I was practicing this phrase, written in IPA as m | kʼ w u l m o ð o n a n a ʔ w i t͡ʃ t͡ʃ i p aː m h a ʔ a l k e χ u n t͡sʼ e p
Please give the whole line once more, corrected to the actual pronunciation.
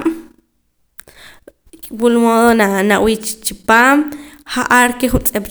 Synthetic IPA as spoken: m | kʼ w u l m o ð o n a n a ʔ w i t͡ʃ t͡ʃ i p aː m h a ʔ a ɾ k e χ u n t͡sʼ e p

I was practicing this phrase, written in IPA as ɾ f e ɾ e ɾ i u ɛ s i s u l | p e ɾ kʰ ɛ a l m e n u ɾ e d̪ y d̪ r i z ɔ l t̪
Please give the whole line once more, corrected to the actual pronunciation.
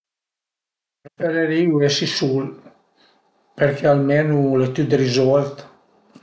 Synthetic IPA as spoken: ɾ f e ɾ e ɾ i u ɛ s i s u l | p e ɾ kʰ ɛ a l m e n u l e t̪ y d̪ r i z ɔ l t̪

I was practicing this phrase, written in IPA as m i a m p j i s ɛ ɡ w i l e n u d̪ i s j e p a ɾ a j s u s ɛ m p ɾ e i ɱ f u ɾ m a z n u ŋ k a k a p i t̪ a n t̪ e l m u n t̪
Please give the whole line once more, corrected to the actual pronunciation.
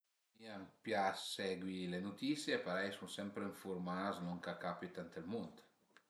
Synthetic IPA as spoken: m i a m p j a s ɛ ɡ w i l e n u t̪ i s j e p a ɾ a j s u s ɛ m p ɾ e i ɱ f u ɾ m a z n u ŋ k a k a p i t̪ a n t̪ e l m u n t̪

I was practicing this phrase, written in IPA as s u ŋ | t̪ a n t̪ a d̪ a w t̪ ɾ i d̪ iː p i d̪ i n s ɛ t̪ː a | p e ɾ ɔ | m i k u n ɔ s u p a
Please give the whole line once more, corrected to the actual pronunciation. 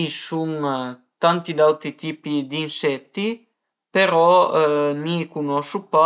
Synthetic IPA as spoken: s u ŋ | t̪ a n t̪ i d̪ a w t̪ ɾ i t̪ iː p i d̪ i n s ɛ t̪ː i | p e ɾ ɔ | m i k u n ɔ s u p a

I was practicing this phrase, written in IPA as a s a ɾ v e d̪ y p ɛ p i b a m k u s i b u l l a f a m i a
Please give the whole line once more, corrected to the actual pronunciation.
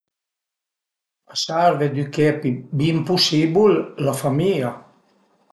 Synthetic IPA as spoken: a s a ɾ v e d̪ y k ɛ p i b i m p u s i b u l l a f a m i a

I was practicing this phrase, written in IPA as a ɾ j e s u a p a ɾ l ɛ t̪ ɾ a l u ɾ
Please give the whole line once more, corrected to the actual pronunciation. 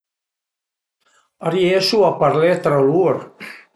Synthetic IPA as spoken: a ɾ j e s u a p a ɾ l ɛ t̪ ɾ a l u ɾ

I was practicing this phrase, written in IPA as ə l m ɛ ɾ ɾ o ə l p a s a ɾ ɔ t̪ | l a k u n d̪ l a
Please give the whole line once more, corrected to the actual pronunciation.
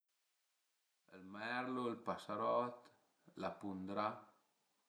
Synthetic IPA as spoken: ə l m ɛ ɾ l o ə l p a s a ɾ ɔ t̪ | l a p u n d̪ ɾ a

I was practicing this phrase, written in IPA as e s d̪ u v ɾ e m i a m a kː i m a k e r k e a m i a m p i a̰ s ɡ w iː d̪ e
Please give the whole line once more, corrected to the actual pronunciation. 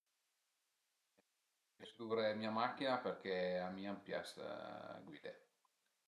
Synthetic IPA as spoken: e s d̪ u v ɾ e m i a m a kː i n a p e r k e a m i a m p j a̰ s ɡ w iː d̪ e

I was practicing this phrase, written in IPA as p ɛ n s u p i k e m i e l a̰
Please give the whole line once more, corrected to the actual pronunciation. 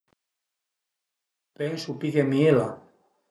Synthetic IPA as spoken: p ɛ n s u p i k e m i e l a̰

